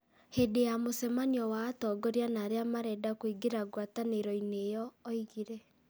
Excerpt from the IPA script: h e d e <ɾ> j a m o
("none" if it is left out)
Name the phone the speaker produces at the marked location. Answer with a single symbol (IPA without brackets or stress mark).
none